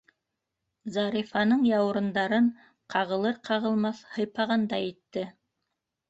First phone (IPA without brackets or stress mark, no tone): z